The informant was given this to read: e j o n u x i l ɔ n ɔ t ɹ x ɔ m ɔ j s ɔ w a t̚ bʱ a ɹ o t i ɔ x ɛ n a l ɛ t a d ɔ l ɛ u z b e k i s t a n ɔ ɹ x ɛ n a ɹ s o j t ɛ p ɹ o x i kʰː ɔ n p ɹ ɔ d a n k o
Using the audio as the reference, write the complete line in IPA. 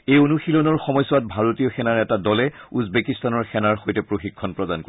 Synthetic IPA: e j o n u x i l ɔ n ɔ ɹ x ɔ m ɔ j s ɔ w a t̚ bʱ a ɹ o t i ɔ x ɛ n a ɹ ɛ t a d ɔ l ɛ u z b e k i s t a n ɔ ɹ x ɛ n a ɹ x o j t ɛ p ɹ o x i kʰː ɔ n p ɹ ɔ d a n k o